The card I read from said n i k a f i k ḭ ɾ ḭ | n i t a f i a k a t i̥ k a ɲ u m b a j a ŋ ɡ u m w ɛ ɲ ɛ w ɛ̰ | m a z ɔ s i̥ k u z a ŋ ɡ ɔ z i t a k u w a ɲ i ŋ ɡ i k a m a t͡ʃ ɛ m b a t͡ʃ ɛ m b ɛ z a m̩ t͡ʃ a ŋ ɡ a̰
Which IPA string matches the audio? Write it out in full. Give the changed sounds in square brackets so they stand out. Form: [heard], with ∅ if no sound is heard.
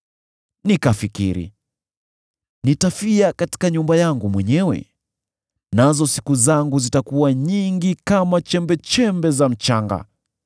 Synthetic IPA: n i k a f i k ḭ ɾ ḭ | n i t a f i a k a t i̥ k a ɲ u m b a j a ŋ ɡ u m w ɛ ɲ ɛ w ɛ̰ | [n] a z ɔ s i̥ k u z a ŋ ɡ [u] z i t a k u w a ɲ i ŋ ɡ i k a m a t͡ʃ ɛ m b [ɛ] t͡ʃ ɛ m b ɛ z a m̩ t͡ʃ a ŋ ɡ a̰